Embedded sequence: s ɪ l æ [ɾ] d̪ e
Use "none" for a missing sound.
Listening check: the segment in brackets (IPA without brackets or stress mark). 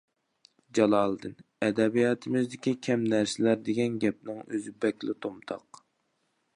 ɾ